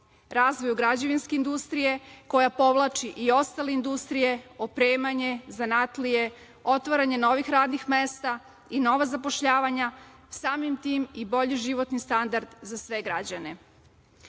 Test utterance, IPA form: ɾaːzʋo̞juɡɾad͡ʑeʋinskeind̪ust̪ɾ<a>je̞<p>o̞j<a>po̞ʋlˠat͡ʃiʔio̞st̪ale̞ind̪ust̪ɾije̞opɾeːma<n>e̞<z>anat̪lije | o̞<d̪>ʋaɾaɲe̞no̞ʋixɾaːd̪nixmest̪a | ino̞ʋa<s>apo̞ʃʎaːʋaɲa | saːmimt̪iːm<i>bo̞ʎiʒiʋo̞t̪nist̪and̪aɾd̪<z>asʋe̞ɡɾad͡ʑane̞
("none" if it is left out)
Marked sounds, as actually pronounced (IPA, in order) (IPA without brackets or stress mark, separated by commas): i, k, a, ɲ, z, t̪, z, i, z